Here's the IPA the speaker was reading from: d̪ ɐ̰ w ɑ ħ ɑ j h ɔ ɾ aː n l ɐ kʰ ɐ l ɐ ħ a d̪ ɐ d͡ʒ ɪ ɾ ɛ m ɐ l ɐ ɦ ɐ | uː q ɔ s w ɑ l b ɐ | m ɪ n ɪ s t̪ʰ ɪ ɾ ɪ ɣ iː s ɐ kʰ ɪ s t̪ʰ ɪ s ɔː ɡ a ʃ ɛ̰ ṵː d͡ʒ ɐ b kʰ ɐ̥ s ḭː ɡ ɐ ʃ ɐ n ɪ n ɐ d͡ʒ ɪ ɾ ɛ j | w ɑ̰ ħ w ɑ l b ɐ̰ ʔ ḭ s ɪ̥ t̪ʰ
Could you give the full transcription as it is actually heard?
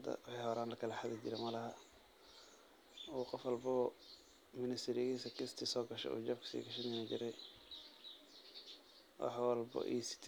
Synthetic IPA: d̪ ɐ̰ w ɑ ħ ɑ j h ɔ ɾ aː n l ɐ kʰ ɐ l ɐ ħ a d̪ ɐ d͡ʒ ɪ ɾ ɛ m ɐ l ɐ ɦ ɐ | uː q ɔ f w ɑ l b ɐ | m ɪ n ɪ s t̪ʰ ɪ ɾ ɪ ɣ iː s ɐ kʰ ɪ s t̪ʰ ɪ s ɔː ɡ ɐ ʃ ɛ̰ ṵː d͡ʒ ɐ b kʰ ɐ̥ s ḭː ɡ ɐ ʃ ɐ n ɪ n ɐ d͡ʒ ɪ ɾ ɛ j | w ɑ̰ ħ w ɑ l b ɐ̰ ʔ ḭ s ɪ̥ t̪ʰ

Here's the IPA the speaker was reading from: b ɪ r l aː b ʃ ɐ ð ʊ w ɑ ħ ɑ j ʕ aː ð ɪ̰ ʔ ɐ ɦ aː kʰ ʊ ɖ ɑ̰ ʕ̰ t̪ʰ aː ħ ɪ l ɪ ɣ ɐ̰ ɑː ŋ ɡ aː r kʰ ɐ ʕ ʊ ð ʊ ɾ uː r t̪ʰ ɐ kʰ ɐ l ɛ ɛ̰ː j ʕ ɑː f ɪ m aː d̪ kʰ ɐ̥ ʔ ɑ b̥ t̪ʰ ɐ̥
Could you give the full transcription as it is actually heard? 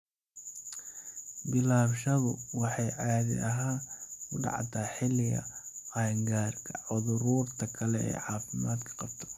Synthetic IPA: b ɪ l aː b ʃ ɐ ð ʊ w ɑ ħ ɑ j ʕ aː ð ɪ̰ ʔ ɐ ɦ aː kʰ ʊ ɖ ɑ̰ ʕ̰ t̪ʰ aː ħ ɪ l ɪ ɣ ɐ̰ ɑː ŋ ɡ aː r kʰ ɐ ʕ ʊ ð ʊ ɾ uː r t̪ʰ ɐ kʰ ɐ l ɛ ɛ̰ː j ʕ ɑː f ɪ m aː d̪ kʰ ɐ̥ q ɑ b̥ t̪ʰ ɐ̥

